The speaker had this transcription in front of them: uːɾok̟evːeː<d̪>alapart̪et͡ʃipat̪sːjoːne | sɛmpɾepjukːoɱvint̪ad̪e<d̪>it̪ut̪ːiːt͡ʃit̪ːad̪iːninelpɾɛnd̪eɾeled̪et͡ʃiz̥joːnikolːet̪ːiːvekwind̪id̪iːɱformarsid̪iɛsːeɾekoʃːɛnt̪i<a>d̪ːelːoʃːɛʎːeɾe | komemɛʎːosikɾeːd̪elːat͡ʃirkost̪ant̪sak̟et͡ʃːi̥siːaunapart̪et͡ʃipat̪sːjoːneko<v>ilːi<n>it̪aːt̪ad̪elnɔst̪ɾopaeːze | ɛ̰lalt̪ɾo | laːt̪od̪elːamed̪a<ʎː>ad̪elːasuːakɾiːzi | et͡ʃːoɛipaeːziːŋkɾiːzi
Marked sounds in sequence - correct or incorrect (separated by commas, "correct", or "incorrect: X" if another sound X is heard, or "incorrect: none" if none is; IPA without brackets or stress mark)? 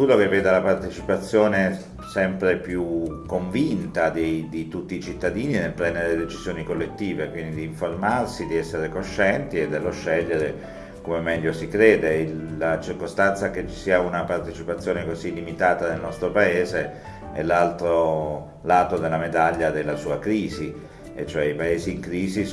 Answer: correct, correct, incorrect: e, incorrect: z, incorrect: m, correct